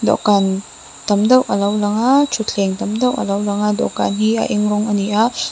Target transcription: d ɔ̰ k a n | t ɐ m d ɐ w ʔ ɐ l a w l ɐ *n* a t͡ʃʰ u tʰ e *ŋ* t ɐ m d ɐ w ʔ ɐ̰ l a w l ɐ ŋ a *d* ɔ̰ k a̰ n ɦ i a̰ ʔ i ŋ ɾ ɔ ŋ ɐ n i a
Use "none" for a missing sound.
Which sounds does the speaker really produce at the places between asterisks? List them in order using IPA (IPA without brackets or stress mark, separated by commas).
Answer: ŋ, ŋ, d